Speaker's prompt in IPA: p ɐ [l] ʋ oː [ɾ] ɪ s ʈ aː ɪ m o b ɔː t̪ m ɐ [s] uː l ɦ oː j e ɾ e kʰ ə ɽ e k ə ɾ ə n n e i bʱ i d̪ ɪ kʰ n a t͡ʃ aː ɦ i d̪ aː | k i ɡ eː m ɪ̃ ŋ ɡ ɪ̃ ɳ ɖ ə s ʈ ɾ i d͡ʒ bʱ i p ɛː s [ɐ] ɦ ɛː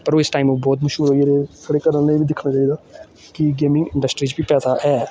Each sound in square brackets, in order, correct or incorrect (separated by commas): incorrect, incorrect, incorrect, incorrect